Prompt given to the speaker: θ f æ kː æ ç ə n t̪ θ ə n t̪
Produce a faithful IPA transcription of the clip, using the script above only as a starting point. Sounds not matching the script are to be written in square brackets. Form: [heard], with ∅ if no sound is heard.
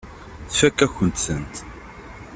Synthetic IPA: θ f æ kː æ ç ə n t̪ [s] ə n t̪